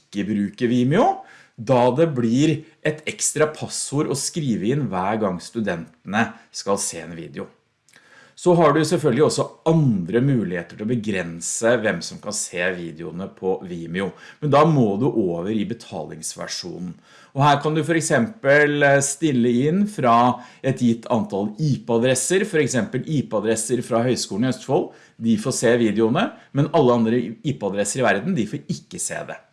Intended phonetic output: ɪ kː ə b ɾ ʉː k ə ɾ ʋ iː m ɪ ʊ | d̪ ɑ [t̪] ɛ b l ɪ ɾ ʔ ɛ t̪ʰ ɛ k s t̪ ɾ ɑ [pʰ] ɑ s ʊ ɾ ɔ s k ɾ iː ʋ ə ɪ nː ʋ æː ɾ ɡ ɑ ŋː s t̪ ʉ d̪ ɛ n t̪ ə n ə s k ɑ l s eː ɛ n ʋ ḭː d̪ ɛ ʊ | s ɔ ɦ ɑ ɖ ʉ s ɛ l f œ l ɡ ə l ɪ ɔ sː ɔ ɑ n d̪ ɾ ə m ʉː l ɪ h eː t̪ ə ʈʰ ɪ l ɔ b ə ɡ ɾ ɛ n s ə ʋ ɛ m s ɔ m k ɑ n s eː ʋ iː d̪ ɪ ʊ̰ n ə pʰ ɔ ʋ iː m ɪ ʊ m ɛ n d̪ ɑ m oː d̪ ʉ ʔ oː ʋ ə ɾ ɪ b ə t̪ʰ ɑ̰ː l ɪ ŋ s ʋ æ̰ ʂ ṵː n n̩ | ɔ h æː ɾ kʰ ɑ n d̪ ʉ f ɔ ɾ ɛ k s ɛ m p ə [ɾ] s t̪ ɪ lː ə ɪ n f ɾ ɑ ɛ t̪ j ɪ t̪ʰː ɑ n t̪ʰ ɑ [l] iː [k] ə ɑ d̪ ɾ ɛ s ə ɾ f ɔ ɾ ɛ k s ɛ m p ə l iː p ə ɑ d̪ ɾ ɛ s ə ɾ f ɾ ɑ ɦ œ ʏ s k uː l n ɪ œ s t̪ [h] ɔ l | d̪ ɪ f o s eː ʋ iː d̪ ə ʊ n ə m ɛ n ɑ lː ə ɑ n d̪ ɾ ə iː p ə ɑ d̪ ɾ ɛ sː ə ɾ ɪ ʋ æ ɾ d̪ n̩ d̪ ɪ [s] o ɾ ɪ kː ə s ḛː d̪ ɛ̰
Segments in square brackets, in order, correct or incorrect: incorrect: d̪, correct, incorrect: l, correct, incorrect: p, incorrect: f, incorrect: f

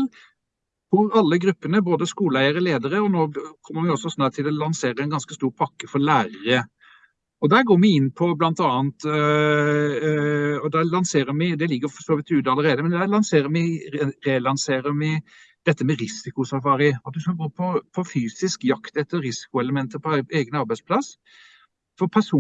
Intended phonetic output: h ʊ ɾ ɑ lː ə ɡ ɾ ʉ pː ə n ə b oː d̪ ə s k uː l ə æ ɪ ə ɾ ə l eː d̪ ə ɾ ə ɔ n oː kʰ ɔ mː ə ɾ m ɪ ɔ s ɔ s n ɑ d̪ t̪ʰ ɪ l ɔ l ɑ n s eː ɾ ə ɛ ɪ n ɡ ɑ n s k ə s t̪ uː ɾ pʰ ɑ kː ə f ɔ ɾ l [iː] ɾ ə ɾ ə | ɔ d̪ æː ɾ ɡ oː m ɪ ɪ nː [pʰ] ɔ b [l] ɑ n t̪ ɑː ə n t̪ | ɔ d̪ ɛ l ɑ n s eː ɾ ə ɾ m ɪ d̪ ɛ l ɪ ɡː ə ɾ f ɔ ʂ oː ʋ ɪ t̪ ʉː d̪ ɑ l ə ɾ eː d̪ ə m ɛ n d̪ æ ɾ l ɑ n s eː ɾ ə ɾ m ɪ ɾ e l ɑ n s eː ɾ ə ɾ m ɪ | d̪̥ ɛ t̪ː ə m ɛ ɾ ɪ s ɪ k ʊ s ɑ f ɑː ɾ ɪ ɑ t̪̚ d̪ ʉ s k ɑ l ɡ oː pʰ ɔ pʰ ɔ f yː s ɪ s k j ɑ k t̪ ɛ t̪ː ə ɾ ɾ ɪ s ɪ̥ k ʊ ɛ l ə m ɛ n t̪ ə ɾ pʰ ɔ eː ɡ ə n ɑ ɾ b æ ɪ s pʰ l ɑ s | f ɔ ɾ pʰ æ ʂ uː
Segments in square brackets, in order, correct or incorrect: incorrect: æː, correct, correct

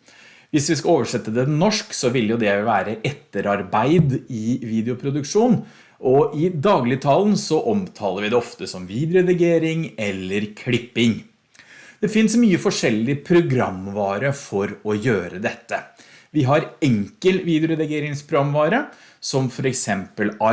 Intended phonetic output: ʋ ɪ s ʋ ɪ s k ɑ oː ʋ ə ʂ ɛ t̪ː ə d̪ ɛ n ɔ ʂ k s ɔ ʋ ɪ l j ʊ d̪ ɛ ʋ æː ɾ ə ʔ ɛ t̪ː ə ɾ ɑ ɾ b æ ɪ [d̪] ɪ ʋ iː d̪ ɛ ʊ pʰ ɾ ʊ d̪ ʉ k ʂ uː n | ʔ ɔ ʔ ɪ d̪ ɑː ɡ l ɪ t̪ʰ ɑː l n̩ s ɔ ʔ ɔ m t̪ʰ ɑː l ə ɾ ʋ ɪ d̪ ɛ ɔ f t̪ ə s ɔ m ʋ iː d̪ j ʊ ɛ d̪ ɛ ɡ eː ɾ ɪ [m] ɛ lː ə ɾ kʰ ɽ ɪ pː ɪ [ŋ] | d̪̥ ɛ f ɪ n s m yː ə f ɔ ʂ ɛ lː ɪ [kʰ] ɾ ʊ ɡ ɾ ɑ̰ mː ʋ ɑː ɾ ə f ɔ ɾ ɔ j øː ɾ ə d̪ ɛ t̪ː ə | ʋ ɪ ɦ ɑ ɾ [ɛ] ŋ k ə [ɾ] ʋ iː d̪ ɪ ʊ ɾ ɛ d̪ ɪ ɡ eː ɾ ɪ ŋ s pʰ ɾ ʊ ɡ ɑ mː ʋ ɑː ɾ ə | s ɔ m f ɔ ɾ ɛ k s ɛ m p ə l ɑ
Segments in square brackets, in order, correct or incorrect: correct, incorrect: ŋ, correct, incorrect: pʰ, correct, incorrect: l

